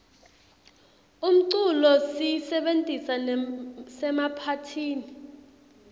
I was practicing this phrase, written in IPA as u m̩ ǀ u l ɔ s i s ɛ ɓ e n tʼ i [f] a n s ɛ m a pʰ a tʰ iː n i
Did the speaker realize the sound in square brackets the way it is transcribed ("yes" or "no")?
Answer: no